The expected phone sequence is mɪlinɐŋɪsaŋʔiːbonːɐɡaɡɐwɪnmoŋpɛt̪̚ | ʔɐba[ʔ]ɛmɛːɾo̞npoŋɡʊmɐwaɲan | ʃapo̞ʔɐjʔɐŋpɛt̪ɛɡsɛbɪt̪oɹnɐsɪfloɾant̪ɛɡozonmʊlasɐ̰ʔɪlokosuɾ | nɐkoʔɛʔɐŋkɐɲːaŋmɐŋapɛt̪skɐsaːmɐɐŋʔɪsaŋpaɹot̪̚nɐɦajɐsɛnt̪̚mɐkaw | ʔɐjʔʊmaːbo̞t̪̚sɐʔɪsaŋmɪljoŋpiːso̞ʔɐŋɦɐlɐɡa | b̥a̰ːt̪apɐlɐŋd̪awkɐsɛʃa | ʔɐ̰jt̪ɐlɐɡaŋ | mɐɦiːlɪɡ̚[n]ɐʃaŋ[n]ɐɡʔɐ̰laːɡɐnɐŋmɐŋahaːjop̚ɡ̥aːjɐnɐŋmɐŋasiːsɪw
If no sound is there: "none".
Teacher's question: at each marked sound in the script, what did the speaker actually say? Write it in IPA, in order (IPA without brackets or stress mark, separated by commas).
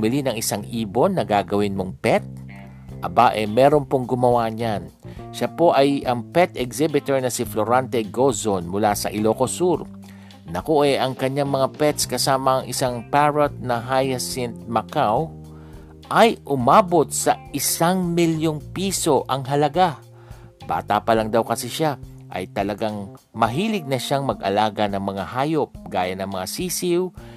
ʔ, n, m